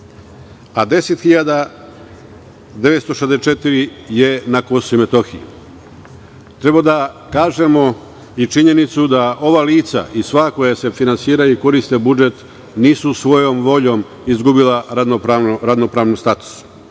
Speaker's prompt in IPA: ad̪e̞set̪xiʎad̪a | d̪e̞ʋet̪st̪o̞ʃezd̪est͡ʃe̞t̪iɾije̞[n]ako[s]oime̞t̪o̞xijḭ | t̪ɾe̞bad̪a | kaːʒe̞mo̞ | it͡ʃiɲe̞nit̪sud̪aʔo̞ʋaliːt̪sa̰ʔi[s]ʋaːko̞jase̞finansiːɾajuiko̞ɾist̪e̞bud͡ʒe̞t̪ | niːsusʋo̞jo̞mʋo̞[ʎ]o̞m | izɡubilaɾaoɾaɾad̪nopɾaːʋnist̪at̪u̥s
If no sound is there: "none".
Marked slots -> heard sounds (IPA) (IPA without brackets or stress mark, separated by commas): n, s, s, ʎ